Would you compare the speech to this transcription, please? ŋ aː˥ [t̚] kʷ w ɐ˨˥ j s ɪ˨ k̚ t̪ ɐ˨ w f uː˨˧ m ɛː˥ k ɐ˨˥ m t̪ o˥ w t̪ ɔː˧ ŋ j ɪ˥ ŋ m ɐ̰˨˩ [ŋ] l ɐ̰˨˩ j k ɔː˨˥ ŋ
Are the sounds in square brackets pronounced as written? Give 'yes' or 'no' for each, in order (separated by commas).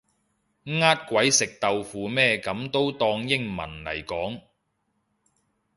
yes, no